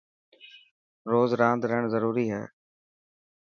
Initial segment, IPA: ɾ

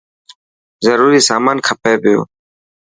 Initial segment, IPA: z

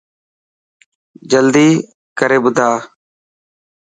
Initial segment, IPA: d͡ʒ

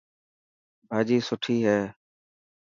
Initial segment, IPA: bʱ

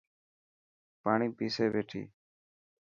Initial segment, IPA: p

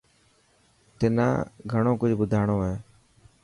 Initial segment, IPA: t̪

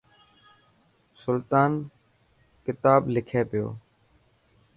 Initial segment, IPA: s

